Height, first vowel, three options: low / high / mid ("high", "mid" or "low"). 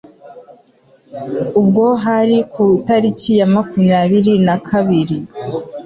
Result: high